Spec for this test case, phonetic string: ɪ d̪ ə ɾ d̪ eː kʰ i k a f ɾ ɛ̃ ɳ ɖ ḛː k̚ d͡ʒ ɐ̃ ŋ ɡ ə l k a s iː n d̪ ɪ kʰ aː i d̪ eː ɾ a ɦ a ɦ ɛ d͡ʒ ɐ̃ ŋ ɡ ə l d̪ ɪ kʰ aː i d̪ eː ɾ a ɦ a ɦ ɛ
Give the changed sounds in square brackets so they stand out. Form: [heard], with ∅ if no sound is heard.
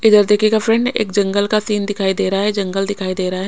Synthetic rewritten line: ɪ d̪ ə ɾ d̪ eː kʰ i k a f ɾ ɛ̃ ɳ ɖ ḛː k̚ d͡ʒ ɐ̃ ŋ ɡ ə l k a s iː n d̪ ɪ kʰ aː i d̪ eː ɾ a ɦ a ɦ ɛ d͡ʒ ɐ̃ ŋ ɡ ə l d̪ ɪ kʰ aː i d̪ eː ɾ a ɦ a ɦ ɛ